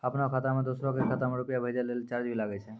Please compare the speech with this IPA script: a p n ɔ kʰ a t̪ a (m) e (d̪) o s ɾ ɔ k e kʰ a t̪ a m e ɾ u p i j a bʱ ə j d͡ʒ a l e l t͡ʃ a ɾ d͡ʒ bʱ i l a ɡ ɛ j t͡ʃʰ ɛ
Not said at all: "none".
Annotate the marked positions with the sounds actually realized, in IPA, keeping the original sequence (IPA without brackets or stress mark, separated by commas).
m, d̪